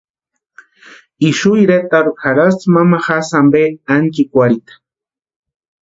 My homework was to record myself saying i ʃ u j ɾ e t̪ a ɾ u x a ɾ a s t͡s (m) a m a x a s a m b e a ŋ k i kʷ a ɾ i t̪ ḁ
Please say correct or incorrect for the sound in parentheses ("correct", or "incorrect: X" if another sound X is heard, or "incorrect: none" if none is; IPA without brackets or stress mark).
correct